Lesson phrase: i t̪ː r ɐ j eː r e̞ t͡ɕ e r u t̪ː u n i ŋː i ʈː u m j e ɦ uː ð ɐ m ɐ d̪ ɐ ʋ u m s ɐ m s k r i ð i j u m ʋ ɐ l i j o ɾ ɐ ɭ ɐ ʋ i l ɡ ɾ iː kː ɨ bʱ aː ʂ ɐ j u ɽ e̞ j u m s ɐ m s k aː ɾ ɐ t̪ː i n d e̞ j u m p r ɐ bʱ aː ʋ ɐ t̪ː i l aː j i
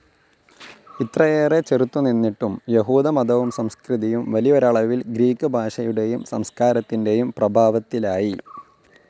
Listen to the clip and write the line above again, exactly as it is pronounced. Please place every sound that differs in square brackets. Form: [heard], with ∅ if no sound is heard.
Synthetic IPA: i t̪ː r ɐ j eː r e̞ t͡ɕ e r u t̪ː u n i [nː] i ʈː u m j e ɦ uː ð ɐ m ɐ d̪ ɐ ʋ u m s ɐ m s k r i ð i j u m ʋ ɐ l i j o ɾ ɐ ɭ ɐ ʋ i l ɡ ɾ iː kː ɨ bʱ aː ʂ ɐ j u ɽ e̞ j u m s ɐ m s k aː ɾ ɐ t̪ː i n d e̞ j u m p r ɐ bʱ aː ʋ ɐ t̪ː i l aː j i